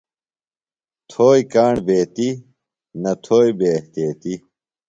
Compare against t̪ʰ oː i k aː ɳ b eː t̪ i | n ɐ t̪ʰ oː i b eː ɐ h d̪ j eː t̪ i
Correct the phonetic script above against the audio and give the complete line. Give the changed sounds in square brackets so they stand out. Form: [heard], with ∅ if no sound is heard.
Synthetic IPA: t̪ʰ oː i k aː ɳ b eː t̪ i | n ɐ t̪ʰ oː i b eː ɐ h [t̪] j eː t̪ i